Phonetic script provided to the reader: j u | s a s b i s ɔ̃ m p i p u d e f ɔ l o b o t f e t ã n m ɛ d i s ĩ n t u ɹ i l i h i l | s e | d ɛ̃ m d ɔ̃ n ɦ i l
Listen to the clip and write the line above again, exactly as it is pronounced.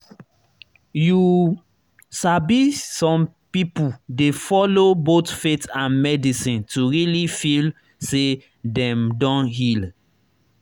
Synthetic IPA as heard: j u | s a b i s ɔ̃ m p i p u d e f ɔ l o b o t f e t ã n m ɛ d i s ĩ n t u ɹ i l i f i l | s e | d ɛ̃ m d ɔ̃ n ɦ i l